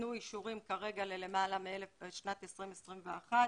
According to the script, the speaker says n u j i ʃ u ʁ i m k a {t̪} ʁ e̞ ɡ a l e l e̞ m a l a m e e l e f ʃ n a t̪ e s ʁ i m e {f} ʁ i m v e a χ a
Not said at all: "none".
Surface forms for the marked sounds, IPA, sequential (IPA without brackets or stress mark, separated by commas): none, s